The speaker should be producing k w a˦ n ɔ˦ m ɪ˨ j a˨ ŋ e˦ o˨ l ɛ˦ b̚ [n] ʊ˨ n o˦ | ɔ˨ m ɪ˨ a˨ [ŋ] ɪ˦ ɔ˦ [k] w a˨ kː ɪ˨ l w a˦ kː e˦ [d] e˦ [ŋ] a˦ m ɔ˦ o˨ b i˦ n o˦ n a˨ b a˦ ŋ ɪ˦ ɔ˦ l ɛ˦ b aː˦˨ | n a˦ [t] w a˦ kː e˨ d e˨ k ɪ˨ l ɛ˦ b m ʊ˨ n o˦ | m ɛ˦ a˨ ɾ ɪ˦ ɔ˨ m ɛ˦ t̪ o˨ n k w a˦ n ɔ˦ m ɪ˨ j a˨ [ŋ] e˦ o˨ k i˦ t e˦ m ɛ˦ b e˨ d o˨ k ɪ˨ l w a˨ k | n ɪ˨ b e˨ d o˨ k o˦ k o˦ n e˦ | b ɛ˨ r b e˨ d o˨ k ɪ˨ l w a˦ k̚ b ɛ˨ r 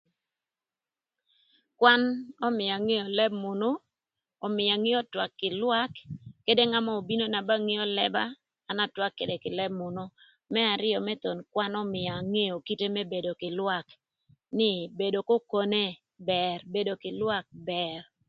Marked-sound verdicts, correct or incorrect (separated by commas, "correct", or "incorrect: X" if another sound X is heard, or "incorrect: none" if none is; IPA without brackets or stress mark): incorrect: m, correct, incorrect: t, correct, correct, correct, correct